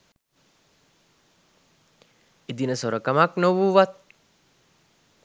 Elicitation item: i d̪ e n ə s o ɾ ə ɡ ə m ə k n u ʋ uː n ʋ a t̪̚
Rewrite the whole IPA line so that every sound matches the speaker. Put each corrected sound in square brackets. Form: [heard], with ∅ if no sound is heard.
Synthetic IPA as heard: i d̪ [i] n ə s o ɾ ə [k] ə m [a] k n [o] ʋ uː [∅] ʋ a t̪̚